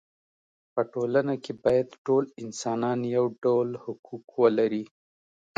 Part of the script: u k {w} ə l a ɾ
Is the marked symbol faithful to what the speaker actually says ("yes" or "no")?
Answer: yes